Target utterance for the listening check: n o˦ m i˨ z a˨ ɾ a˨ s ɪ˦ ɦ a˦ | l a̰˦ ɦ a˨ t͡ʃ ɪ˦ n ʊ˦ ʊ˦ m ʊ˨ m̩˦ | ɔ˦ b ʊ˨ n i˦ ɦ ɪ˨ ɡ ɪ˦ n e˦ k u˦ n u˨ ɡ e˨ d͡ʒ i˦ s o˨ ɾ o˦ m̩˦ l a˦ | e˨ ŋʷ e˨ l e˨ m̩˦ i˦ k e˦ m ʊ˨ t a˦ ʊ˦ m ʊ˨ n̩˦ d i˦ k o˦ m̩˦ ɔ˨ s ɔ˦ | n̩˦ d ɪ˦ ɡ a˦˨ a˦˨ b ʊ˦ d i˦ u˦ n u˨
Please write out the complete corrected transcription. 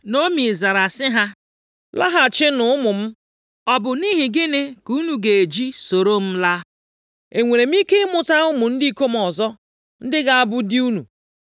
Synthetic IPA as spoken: n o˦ m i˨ z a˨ ɾ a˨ s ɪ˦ ɦ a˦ | l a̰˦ ɦ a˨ t͡ʃ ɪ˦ n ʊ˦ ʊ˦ m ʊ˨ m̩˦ | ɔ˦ b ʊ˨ n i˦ ɦ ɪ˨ ɡ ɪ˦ n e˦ k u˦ n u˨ ɡ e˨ d͡ʒ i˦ s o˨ ɾ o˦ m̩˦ l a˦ | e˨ ŋʷ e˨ ɾ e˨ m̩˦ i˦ k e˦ m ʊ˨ t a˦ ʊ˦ m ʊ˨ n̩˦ d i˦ k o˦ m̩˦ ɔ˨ z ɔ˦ | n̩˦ d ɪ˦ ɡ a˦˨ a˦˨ b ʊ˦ d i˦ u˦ n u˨

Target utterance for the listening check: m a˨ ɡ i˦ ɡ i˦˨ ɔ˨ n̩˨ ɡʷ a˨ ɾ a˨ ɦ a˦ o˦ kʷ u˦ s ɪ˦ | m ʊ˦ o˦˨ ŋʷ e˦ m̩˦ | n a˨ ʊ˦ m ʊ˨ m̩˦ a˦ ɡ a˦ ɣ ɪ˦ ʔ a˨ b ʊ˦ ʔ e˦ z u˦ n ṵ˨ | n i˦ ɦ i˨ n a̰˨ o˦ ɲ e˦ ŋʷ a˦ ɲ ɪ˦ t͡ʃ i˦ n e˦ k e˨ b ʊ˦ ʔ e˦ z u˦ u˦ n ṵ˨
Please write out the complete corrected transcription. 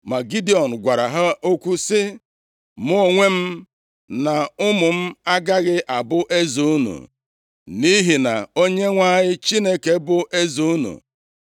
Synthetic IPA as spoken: m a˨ ɡ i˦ d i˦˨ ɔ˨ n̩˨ ɡʷ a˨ ɾ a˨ ɦ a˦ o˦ kʷ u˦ s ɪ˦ | m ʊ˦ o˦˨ ŋʷ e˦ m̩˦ | n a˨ ʊ˦ m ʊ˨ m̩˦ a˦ ɡ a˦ ɣ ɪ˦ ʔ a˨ b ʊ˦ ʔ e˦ z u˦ n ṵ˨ | n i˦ ɦ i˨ n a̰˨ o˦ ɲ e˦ ŋʷ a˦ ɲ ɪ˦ t͡ʃ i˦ n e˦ k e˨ b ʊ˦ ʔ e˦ z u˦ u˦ n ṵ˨

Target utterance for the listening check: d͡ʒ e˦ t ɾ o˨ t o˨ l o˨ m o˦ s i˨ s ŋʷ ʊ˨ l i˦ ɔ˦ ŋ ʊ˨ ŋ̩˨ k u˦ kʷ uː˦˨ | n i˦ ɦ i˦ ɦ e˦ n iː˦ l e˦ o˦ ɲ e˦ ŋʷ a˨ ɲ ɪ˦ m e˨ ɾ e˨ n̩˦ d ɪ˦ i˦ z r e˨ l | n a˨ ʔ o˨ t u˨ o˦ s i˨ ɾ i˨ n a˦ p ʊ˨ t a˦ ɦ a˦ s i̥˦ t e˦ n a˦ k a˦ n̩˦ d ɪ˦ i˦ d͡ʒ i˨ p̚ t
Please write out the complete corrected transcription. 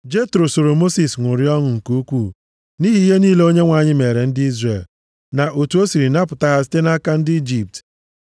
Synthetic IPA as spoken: d͡ʒ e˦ t ɾ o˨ s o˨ ɾ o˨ m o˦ s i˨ s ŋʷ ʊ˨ ɾ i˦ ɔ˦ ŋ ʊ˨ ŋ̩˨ k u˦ kʷ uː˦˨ | n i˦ ɦ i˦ ɦ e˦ n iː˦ l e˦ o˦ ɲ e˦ ŋʷ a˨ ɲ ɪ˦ m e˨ ɾ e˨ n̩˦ d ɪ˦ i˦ z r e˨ l | n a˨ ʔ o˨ t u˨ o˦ s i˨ ɾ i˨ n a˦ p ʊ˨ t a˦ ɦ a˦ s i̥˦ t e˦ n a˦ k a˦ n̩˦ d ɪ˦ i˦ d͡ʒ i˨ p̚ t

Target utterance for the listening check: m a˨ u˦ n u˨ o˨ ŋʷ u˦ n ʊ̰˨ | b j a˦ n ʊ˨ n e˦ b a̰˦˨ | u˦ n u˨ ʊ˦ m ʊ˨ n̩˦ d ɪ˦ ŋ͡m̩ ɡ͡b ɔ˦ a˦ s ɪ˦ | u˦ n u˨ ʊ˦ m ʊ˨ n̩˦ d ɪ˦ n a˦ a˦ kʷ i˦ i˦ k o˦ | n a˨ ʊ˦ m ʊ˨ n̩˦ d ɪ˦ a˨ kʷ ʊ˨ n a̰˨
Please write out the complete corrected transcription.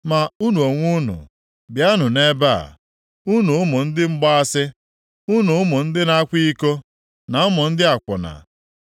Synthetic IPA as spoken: m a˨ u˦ n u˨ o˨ ŋʷ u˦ n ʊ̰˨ | b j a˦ n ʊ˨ n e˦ b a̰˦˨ | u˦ n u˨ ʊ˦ m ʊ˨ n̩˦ d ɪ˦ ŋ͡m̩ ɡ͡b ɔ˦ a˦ s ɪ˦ | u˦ n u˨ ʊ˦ m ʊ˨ n̩˦ d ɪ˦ n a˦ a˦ kʷ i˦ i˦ k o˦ | n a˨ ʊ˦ m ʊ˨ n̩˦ d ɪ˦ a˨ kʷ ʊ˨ n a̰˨

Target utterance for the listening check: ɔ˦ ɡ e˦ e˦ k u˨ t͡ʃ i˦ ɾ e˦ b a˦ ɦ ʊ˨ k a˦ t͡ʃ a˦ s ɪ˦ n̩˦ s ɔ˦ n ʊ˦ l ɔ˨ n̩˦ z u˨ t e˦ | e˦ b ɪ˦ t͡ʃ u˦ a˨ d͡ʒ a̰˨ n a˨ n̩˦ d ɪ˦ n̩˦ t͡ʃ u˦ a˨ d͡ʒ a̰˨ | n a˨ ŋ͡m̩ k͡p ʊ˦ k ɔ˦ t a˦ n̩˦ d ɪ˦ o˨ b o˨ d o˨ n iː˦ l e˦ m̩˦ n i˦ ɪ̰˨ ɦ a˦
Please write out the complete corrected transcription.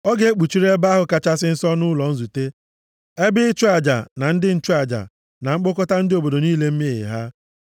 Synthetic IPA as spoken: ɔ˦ ɡ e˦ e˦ k͡p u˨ t͡ʃ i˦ ɾ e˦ b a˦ ɦ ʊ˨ k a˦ t͡ʃ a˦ s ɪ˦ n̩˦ s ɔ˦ n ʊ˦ l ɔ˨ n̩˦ z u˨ t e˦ | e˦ b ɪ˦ t͡ʃ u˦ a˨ d͡ʒ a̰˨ n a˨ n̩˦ d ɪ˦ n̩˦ t͡ʃ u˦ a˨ d͡ʒ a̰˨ | n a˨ ŋ͡m̩ k͡p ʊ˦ k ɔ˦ t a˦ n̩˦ d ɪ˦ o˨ b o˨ d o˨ n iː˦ l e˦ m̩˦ m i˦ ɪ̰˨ ɦ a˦

